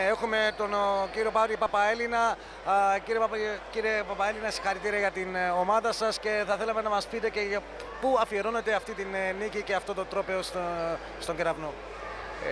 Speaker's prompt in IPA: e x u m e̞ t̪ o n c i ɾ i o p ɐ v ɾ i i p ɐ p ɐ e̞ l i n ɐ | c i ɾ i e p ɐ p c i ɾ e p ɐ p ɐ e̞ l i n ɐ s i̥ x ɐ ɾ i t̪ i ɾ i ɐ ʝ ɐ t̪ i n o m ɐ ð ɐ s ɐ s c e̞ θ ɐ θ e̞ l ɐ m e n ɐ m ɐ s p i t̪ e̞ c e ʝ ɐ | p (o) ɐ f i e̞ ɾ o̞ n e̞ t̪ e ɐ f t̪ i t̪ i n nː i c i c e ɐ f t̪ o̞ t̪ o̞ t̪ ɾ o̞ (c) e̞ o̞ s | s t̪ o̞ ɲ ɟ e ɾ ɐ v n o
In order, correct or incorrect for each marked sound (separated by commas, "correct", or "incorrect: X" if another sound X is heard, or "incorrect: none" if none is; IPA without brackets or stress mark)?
incorrect: u, incorrect: p